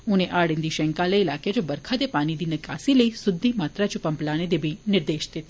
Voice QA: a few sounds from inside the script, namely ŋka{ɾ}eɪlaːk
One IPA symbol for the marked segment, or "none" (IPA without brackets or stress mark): l